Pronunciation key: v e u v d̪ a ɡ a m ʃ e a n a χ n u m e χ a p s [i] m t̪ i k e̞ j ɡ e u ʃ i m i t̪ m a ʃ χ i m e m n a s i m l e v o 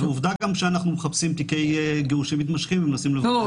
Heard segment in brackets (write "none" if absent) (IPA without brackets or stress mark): i